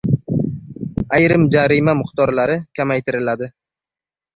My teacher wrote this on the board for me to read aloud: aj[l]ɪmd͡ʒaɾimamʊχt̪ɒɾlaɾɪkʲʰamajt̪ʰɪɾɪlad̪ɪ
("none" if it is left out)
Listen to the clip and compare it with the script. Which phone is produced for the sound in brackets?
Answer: ɾ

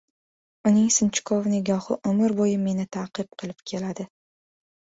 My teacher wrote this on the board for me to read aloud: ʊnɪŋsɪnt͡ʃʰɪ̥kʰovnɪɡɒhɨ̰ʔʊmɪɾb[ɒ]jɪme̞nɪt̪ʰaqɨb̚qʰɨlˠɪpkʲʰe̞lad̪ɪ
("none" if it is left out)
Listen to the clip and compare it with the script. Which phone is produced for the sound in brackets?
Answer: o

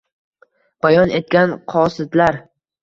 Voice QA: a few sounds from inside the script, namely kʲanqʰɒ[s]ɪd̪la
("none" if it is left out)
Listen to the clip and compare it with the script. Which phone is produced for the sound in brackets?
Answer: s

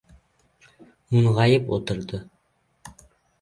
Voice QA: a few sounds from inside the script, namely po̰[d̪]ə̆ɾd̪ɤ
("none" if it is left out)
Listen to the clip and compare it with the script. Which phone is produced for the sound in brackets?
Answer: t̪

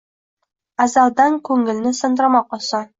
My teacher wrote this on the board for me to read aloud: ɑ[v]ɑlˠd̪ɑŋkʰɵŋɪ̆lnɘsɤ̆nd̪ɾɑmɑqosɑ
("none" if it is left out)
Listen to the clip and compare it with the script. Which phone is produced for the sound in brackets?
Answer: z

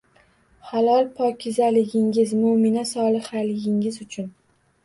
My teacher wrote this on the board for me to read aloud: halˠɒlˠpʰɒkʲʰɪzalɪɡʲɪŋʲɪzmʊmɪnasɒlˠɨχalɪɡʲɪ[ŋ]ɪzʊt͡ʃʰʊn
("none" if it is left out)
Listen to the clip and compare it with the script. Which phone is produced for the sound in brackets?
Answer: ŋ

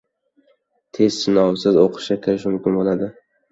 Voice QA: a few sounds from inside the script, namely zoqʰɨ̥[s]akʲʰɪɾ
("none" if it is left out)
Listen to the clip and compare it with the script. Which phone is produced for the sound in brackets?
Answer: ʃ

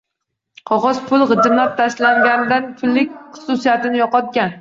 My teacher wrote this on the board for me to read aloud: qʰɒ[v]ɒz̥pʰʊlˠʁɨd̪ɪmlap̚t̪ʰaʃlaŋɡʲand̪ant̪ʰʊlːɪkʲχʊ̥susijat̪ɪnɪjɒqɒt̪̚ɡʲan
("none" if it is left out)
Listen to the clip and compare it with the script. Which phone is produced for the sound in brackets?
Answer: ʁ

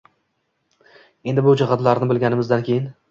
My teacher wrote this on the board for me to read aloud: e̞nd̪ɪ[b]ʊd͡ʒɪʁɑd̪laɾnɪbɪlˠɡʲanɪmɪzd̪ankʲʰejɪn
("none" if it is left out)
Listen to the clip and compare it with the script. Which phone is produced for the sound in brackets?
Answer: b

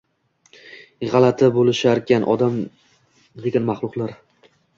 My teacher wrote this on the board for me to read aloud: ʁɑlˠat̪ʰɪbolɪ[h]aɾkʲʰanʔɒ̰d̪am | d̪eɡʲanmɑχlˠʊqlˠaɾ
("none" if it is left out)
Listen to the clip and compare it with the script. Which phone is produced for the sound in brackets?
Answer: ʃ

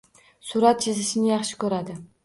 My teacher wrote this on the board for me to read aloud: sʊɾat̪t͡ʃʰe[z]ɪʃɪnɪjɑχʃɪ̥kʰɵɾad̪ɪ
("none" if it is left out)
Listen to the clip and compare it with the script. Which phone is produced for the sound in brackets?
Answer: z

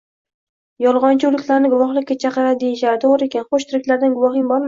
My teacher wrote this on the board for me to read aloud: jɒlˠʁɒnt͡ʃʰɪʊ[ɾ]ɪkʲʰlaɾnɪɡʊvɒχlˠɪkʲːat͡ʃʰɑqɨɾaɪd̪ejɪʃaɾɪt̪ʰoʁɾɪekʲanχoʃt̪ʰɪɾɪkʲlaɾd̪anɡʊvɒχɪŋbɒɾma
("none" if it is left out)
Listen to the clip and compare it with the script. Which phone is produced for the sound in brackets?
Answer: l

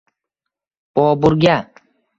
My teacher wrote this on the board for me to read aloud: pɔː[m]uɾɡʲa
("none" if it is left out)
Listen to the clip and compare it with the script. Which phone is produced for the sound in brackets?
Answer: b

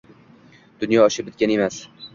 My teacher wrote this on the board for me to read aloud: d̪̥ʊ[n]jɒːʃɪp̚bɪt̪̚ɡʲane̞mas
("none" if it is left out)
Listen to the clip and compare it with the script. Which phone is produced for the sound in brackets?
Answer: n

